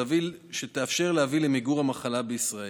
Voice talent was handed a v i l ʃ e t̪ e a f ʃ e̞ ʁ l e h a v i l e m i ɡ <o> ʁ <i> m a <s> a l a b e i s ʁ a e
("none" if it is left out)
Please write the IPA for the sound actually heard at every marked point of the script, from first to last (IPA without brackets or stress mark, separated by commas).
u, a, χ